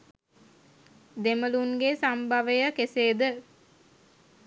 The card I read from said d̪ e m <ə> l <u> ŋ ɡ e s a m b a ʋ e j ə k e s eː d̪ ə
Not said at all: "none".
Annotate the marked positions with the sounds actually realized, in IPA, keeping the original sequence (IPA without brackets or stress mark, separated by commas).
ə, u